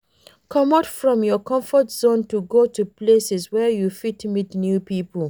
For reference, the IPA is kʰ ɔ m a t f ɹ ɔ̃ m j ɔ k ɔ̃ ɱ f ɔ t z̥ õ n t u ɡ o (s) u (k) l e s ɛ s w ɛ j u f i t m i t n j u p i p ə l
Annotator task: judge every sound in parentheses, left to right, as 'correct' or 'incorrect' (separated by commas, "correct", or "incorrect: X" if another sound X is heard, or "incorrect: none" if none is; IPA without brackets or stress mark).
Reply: incorrect: t, incorrect: p